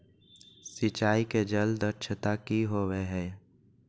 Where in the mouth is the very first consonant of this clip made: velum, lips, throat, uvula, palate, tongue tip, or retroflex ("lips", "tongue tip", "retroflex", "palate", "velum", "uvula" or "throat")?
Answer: tongue tip